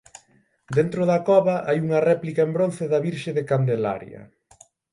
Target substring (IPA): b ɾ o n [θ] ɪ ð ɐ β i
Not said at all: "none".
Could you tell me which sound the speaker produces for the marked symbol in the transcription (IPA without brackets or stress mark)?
θ